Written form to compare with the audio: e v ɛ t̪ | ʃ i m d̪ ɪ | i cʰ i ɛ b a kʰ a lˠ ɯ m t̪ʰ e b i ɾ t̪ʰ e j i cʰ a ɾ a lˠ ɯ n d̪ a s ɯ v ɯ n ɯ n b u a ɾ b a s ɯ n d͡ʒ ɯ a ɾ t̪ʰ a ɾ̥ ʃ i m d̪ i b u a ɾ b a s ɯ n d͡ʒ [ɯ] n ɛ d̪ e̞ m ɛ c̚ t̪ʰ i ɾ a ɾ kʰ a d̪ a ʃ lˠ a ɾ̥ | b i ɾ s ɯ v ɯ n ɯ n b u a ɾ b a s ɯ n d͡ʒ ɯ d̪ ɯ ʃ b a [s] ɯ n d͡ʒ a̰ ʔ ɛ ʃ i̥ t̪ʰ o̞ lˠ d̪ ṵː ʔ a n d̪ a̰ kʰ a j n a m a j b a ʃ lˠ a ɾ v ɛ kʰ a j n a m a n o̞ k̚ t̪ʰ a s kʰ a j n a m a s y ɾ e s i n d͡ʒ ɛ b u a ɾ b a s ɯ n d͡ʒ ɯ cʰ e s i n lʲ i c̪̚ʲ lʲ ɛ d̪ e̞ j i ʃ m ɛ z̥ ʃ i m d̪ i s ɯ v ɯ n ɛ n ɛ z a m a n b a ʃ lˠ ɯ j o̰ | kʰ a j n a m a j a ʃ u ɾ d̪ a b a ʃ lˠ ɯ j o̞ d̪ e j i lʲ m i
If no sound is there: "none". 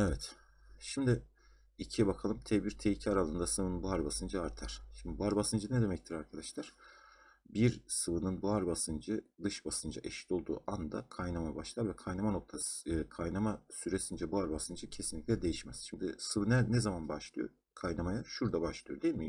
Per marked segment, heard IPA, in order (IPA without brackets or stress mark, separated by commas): ɯ, s